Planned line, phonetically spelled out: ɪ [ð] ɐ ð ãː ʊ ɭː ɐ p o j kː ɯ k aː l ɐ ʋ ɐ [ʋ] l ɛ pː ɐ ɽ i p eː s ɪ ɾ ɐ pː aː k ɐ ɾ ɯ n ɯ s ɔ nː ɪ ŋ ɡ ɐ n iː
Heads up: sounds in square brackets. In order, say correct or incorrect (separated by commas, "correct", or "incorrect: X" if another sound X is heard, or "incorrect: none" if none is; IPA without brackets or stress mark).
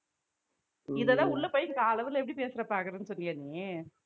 correct, incorrect: none